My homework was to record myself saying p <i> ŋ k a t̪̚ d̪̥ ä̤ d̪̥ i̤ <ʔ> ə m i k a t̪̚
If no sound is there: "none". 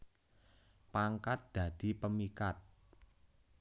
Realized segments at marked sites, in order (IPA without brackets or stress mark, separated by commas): a, p